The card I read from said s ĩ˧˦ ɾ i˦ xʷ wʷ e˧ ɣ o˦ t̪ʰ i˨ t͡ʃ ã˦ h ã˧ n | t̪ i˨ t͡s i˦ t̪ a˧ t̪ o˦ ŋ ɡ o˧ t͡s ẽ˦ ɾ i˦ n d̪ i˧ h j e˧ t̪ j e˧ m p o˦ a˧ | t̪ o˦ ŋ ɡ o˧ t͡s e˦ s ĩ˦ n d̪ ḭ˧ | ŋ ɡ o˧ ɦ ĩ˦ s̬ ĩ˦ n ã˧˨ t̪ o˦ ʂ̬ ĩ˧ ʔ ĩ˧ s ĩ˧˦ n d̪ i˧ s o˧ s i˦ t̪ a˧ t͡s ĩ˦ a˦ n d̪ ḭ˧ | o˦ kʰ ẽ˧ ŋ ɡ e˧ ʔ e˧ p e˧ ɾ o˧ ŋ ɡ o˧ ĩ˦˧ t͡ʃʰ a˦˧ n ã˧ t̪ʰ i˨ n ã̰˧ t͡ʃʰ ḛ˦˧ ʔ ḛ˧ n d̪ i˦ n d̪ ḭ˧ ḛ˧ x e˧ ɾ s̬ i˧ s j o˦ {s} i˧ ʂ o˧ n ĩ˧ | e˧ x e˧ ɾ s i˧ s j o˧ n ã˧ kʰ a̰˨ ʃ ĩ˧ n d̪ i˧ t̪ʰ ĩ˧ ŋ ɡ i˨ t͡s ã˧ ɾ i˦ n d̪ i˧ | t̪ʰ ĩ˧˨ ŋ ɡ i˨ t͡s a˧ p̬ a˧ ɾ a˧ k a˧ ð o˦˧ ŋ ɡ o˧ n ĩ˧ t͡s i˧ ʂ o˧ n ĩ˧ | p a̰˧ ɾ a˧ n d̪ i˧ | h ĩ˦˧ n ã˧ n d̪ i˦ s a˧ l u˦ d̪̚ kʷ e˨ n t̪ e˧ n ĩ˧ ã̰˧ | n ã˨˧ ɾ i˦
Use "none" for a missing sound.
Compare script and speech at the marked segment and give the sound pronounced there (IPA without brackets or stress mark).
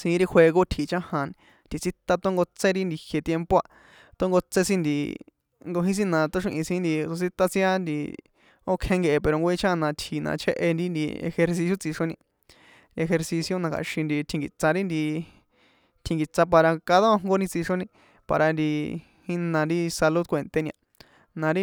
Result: t͡s